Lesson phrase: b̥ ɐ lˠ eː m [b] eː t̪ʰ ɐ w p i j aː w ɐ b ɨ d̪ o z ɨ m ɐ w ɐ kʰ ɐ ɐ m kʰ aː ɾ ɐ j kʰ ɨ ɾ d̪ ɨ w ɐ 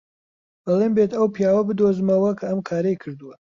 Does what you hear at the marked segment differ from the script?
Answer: no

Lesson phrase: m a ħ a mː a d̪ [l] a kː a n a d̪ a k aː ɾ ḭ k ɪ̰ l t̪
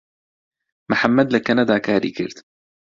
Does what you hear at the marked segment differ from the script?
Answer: no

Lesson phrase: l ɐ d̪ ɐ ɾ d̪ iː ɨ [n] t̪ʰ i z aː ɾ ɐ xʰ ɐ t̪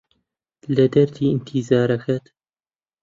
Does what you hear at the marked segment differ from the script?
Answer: no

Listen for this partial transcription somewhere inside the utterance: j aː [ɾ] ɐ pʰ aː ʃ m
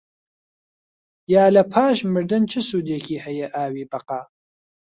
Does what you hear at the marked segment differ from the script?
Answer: yes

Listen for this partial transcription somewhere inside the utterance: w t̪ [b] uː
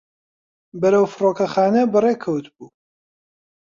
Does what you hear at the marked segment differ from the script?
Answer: no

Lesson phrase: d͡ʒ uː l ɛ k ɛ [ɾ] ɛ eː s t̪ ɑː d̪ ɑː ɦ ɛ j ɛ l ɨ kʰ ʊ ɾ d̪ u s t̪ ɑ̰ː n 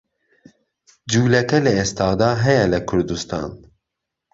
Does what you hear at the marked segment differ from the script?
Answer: yes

